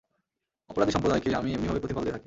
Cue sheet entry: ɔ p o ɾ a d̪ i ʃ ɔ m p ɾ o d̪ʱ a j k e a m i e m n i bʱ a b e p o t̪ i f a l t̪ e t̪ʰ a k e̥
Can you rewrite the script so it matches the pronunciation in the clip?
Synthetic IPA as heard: ɔ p o ɾ a d̪ i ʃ ɔ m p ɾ o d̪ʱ a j k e a m i e m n i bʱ a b e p o t̪ i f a l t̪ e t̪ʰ a k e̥